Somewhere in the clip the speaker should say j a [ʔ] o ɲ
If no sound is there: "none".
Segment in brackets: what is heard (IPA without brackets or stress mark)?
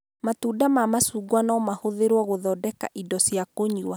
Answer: k